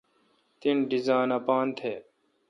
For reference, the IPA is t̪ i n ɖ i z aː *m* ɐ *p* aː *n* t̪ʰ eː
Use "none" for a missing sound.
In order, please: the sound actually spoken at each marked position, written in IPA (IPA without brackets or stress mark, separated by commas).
n, p, n